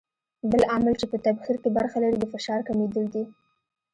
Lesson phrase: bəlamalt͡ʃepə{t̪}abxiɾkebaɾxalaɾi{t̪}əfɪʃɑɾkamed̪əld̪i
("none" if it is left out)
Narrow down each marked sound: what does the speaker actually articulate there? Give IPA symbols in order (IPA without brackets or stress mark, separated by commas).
t̪, d̪